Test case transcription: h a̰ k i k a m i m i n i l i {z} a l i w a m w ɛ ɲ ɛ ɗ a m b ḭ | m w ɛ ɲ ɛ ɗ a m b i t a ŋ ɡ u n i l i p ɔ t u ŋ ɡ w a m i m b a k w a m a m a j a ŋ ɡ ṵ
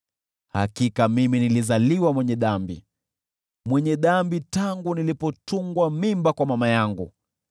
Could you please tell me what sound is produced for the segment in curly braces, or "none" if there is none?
z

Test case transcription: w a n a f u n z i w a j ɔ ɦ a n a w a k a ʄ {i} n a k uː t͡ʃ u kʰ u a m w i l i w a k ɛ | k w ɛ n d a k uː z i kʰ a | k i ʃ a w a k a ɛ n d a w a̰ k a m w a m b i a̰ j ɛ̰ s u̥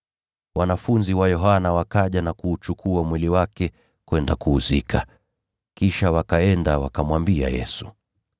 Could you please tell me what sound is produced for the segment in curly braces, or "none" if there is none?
a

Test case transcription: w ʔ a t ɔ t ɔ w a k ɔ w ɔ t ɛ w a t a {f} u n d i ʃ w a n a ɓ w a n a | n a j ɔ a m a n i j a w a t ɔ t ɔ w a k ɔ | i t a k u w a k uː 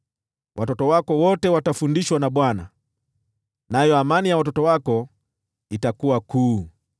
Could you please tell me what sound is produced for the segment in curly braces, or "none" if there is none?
f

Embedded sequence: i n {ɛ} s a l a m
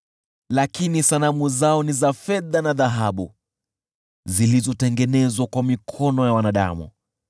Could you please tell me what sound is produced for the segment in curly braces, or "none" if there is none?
i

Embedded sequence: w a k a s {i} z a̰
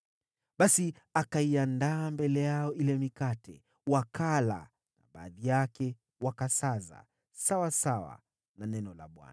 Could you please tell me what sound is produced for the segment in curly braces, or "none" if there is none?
a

